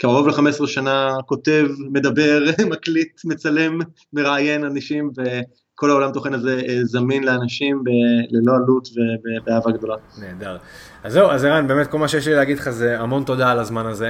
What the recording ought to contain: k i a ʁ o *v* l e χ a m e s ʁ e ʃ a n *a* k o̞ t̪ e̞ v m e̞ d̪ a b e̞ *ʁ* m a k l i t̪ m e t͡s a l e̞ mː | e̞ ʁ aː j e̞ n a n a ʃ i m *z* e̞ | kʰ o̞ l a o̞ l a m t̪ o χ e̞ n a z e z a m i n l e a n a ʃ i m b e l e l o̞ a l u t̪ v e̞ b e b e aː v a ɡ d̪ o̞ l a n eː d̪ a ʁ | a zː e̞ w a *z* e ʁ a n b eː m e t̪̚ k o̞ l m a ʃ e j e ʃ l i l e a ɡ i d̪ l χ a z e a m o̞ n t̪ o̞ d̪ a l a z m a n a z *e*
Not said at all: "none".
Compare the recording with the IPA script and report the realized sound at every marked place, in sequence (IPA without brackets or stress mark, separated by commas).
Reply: v, a, ʁ, v, z, e